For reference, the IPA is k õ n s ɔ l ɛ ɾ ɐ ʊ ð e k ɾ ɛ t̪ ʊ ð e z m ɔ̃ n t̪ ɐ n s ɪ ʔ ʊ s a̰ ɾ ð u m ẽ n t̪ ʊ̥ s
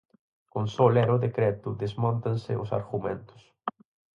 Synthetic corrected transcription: k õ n s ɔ l ɛ ɾ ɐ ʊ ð e k ɾ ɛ t̪ ʊ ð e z m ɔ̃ n t̪ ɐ n s ɪ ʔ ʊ s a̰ ɾ ɣ u m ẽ n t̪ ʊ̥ s